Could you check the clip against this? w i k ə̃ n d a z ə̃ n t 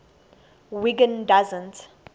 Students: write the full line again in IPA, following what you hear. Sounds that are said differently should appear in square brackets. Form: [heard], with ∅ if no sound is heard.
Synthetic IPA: w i [ɡ] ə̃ n d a z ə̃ n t